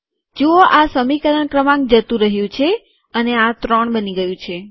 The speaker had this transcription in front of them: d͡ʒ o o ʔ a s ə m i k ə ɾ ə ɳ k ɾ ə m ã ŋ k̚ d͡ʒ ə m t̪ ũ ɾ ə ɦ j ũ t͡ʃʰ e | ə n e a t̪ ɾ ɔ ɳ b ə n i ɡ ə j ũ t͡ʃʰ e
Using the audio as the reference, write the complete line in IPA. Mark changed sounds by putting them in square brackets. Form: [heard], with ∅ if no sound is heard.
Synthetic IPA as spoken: d͡ʒ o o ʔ a s ə m i k ə ɾ ə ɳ k ɾ ə m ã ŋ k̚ d͡ʒ ə [∅] t̪ ũ ɾ ə ɦ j ũ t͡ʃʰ e | ə n e a t̪ ɾ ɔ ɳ b ə n i ɡ ə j ũ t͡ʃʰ e